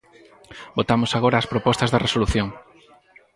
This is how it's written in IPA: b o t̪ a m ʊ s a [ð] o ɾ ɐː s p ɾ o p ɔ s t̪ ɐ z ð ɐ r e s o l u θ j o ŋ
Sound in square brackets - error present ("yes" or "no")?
yes